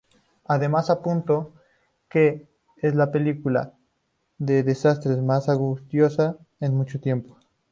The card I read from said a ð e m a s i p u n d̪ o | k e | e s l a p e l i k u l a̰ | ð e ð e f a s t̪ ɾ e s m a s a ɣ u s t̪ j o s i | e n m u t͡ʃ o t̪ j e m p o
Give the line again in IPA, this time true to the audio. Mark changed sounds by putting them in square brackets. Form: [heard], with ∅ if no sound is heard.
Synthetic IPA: a ð e m a s [a] p u n [t̪] o | k e | e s l a p e l i k u l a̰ | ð e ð e [s] a s t̪ ɾ e s m a s a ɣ u s t̪ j o s [a] | e n m u t͡ʃ o t̪ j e m p o